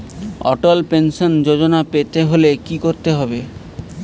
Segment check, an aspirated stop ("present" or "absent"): absent